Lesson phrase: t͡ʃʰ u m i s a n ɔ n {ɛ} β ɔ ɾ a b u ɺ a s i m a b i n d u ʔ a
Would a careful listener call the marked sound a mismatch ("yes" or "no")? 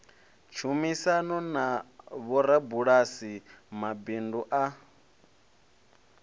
yes